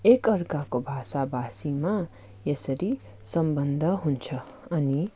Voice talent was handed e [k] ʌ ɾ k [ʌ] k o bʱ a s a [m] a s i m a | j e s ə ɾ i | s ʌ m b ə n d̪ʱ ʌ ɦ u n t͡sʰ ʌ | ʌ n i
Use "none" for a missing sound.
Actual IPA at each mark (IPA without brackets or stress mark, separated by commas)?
k, a, b